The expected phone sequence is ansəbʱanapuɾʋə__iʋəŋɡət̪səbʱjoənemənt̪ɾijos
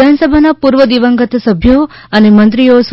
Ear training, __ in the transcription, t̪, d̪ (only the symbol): d̪